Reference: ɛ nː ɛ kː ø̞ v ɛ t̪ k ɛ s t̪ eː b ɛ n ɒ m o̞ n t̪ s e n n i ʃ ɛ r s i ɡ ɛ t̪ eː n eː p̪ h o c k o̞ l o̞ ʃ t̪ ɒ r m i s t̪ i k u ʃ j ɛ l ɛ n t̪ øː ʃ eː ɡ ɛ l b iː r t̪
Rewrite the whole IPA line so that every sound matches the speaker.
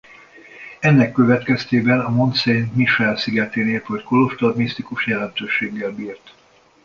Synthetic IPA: ɛ nː ɛ kː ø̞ v ɛ t̪ k ɛ s t̪ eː b ɛ n ɒ m o̞ n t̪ s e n m i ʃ ɛ l s i ɡ ɛ t̪ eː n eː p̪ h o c k o̞ l o̞ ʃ t̪ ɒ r m i s t̪ i k u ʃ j ɛ l ɛ n t̪ øː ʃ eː ɡː ɛ l b iː r t̪